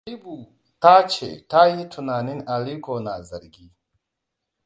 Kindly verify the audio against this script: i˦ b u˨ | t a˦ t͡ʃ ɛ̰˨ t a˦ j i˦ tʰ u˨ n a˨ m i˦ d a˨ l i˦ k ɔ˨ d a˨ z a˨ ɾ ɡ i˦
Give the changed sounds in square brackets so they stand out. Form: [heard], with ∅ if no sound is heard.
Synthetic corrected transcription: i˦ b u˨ | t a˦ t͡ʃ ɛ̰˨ t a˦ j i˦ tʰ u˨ n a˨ [n] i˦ [n] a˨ l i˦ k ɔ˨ [n] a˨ z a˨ ɾ ɡ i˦